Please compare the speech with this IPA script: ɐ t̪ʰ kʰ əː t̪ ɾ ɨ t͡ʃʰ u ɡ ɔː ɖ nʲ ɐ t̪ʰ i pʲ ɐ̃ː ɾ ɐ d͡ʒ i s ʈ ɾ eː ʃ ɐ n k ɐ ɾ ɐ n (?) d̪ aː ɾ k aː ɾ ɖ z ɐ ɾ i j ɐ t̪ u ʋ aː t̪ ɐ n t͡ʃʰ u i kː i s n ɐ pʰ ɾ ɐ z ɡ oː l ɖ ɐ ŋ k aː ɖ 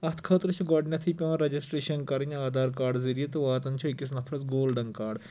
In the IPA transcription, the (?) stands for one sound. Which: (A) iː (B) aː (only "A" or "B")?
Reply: B